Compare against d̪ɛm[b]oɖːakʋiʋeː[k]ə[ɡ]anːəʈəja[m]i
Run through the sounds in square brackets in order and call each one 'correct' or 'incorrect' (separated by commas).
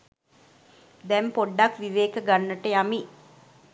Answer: incorrect, correct, correct, correct